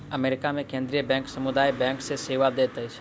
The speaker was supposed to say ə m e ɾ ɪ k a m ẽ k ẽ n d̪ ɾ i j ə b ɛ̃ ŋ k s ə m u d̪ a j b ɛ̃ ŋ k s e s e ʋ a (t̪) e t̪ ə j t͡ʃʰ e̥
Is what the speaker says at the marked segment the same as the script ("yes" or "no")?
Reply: no